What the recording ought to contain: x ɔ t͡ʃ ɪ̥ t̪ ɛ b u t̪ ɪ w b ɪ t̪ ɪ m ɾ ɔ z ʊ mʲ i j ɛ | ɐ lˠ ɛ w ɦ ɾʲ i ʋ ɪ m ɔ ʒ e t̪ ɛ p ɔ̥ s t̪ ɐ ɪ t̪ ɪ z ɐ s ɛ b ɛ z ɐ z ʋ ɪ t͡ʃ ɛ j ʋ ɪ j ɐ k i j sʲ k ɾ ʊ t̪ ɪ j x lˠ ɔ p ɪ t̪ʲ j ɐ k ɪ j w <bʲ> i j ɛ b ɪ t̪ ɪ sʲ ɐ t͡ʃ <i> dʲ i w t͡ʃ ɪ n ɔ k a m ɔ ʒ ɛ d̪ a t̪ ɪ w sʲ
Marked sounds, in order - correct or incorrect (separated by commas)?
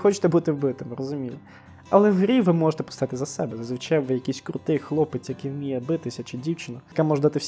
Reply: incorrect, incorrect